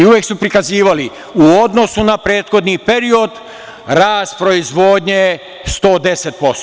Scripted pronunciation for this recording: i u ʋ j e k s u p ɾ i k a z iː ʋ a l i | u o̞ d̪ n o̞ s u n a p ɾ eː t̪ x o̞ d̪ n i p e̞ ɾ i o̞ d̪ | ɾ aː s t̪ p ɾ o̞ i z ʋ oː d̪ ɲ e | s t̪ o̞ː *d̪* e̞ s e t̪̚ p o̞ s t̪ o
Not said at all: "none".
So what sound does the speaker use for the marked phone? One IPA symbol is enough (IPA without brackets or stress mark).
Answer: d̪